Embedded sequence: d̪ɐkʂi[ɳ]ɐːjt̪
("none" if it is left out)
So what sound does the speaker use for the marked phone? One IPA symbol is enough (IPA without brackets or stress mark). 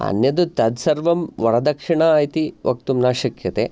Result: ɳ